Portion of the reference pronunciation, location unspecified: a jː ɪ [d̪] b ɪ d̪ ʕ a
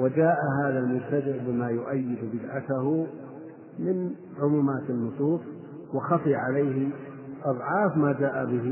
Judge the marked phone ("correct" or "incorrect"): correct